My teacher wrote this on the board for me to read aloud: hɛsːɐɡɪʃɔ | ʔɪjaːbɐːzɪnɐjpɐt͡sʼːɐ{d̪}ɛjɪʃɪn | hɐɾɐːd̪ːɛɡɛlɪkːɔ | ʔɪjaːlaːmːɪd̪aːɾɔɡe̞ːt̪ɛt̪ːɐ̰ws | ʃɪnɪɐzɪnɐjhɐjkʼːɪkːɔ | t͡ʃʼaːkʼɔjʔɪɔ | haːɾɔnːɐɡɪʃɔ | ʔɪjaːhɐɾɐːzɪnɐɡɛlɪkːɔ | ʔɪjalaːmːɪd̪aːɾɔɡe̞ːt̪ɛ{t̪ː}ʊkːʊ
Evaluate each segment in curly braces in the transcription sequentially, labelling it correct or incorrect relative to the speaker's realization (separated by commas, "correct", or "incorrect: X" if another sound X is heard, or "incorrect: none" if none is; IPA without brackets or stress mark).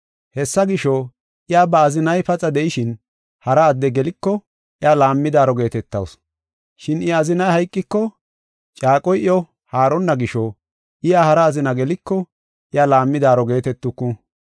correct, correct